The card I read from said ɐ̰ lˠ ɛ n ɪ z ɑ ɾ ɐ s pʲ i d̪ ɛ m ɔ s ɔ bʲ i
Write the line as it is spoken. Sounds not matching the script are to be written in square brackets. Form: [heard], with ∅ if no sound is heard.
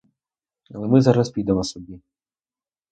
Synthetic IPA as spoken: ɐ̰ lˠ ɛ [m] ɪ z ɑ ɾ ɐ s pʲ i d̪ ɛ m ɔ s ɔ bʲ i